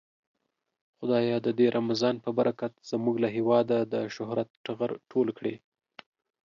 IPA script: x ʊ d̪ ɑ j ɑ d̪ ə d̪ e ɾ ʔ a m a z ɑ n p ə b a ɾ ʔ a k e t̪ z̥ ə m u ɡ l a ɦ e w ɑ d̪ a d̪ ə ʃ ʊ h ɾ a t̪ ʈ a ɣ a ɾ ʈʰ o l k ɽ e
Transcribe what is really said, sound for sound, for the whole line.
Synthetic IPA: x ʊ d̪ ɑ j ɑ d̪ ə d̪ e ɾ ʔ a m a z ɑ n p ə b a ɾ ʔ a k a t̪ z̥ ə m u ɡ l a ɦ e w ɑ d̪ a d̪ ə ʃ ʊ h ɾ a t̪ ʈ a ɣ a ɾ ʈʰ o l k ɽ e